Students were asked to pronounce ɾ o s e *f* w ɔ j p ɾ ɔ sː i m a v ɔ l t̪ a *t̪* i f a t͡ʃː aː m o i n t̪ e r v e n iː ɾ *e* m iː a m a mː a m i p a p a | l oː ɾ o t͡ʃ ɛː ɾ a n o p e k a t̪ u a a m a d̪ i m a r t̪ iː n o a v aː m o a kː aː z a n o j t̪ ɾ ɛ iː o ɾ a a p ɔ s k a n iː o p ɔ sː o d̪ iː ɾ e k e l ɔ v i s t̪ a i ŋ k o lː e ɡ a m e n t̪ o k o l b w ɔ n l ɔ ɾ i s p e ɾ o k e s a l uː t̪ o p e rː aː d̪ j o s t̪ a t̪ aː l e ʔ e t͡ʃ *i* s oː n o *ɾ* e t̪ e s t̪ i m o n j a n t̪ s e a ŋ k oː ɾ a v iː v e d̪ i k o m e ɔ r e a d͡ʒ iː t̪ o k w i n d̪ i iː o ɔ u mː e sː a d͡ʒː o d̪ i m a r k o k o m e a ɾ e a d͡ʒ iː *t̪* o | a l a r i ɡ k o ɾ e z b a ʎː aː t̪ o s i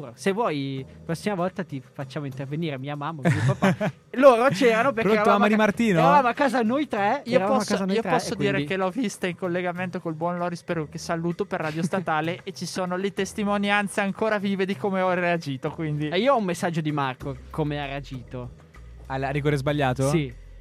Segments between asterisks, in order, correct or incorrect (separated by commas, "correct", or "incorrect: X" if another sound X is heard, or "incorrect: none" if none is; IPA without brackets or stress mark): incorrect: v, correct, correct, correct, incorrect: l, correct